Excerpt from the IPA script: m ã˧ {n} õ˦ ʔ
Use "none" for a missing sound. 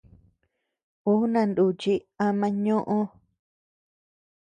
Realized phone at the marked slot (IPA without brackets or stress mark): ɲ